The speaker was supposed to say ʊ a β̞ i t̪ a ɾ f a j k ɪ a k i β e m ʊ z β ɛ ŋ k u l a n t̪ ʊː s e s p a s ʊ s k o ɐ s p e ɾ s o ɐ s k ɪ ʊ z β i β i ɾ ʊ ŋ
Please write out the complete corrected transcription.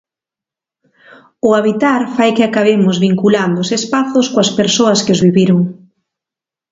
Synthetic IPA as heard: ʊ a β̞ i t̪ a ɾ f a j k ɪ a k a β e m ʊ z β i ŋ k u l a n d̪ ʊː s e s p a θ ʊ s k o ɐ s p e ɾ s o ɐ s k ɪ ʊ z β i β i ɾ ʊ ŋ